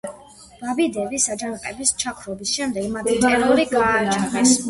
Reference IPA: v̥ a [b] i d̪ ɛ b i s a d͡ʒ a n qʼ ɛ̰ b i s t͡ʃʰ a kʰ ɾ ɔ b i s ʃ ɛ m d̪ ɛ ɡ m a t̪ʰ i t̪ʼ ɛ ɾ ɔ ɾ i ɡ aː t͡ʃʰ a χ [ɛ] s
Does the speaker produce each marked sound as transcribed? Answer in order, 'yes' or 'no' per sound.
yes, yes

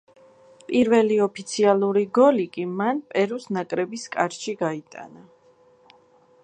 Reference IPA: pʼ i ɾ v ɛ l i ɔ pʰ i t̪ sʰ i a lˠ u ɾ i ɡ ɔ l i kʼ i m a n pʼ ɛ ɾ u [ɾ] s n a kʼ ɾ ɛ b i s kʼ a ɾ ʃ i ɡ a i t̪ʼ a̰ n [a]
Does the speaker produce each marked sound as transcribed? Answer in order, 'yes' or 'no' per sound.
no, yes

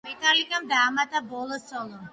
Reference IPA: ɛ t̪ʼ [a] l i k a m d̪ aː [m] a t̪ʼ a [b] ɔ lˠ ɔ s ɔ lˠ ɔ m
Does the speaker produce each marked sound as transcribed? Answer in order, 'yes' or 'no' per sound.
yes, yes, yes

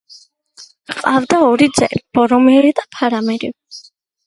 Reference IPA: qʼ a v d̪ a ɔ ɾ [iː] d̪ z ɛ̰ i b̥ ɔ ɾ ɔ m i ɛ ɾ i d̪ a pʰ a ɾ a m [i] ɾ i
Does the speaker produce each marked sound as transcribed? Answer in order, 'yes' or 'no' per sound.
no, no

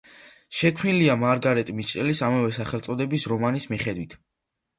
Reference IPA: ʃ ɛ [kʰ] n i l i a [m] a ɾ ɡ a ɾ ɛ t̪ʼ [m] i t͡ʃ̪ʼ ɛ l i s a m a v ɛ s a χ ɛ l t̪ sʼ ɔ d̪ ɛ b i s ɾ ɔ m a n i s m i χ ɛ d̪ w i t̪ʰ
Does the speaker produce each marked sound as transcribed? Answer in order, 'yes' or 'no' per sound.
yes, yes, yes

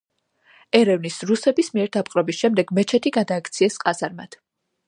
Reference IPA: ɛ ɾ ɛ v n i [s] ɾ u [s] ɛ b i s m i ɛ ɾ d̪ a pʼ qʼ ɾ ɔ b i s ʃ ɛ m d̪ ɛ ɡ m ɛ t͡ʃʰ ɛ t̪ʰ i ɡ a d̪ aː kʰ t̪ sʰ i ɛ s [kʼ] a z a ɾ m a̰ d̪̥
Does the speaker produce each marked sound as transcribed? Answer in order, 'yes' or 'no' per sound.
yes, yes, no

